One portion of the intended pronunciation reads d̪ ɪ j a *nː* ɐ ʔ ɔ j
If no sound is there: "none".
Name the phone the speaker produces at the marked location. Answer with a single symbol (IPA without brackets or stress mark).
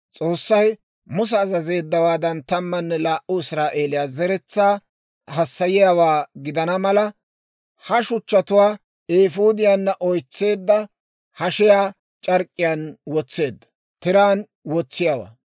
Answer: nː